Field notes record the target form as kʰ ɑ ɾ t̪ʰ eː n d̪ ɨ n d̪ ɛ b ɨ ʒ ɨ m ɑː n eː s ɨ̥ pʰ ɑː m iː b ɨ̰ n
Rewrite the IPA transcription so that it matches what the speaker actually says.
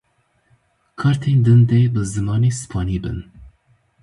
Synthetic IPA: kʰ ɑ ɾ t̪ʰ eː n d̪ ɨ n d̪ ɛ b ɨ z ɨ m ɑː n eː s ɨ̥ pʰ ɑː n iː b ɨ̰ n